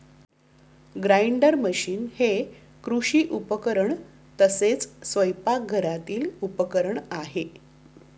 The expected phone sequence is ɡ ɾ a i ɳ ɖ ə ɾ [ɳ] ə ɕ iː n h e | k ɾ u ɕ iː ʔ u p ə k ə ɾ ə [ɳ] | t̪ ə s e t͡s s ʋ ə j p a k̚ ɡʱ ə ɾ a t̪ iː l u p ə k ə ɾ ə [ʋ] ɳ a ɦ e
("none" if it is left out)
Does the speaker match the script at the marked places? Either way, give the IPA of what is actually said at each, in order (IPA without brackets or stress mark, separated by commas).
m, ɳ, none